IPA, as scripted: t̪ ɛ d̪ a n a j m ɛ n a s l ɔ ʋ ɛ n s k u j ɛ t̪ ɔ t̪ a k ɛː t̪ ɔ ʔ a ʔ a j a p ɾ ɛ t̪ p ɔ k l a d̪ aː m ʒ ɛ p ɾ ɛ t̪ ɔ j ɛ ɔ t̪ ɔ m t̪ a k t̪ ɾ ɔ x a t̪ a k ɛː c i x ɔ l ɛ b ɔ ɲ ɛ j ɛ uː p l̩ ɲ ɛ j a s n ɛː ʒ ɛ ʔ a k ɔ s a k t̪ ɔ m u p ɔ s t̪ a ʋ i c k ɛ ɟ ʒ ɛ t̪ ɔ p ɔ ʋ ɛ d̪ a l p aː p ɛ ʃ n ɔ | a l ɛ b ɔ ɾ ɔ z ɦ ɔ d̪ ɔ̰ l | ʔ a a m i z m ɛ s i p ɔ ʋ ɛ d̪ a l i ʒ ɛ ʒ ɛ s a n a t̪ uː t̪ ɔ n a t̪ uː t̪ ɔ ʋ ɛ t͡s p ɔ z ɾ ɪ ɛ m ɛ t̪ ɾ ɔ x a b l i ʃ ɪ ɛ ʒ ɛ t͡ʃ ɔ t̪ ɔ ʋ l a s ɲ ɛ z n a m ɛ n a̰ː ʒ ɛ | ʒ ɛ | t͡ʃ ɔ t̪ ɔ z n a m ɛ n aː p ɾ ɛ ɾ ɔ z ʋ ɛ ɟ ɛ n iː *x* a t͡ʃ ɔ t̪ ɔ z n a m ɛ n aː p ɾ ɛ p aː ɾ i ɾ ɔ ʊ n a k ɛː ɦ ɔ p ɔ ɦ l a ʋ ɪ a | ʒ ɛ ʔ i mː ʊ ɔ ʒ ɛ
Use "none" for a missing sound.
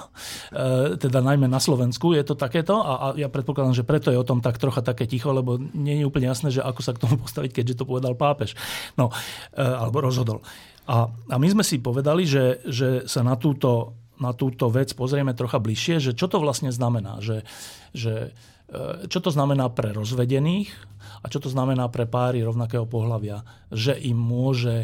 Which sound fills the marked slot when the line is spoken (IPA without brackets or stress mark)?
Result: x